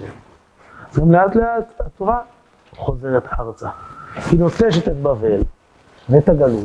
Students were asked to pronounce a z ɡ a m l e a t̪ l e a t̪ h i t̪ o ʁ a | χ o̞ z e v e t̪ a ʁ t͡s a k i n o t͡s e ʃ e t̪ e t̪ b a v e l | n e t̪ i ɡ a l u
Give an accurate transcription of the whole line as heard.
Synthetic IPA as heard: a z ɡ a m l e a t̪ l e a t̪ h a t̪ o ʁ a | χ o̞ z e ʁ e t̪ a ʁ t͡s a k i n o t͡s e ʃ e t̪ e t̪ b a v e l | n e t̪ a ɡ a l u